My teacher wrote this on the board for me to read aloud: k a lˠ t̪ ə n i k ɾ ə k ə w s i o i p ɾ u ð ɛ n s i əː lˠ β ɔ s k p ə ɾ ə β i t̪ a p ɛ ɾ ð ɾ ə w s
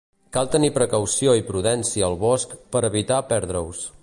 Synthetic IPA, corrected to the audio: k a lˠ t̪ ə n i p ɾ ə k ə w s i o i p ɾ u ð ɛ n s i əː lˠ β ɔ s k p ə ɾ ə β i t̪ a p ɛ ɾ ð ɾ ə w s